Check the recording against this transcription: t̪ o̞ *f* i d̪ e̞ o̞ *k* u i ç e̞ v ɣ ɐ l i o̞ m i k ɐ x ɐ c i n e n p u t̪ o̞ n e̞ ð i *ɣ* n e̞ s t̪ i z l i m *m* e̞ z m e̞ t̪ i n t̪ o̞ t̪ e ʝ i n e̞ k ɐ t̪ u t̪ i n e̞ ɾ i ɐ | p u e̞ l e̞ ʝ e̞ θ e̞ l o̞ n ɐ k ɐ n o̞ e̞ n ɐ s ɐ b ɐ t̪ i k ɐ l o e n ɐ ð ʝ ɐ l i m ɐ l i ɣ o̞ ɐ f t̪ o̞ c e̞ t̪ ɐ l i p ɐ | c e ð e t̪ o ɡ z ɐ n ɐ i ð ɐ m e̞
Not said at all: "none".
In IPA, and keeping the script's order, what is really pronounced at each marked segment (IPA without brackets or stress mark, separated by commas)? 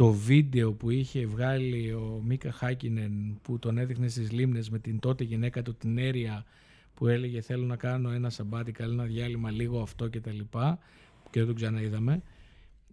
v, p, x, n